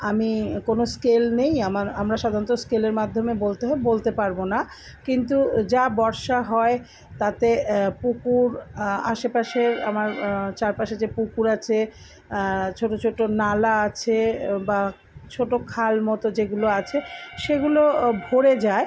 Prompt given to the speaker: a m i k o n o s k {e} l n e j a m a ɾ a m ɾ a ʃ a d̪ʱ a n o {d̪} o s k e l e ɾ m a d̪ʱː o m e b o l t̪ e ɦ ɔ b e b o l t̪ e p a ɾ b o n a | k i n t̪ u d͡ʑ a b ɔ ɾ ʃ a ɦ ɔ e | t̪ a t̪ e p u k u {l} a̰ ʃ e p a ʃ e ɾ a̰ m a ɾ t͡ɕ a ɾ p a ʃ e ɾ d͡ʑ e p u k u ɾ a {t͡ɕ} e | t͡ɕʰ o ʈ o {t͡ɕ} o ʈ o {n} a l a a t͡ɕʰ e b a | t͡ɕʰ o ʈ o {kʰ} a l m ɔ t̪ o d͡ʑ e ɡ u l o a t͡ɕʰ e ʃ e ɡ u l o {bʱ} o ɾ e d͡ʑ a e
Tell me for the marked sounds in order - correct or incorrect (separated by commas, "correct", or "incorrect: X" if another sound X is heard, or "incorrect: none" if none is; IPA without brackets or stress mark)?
correct, incorrect: t̪, incorrect: ɾ, incorrect: t͡ɕʰ, incorrect: t͡ɕʰ, correct, correct, correct